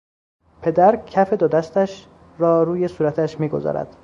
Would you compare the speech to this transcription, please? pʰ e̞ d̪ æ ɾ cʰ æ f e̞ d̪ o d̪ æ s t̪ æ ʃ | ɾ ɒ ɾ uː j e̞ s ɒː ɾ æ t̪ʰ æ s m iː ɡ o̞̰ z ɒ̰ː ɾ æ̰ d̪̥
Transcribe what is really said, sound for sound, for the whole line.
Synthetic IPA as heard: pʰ e̞ d̪ æ ɾ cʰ æ f e̞ d̪ o d̪ æ s t̪ æ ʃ | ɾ ɒː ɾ uː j e̞ s uː ɾ æ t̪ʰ æ ʃ m iː ɡ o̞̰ z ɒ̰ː ɾ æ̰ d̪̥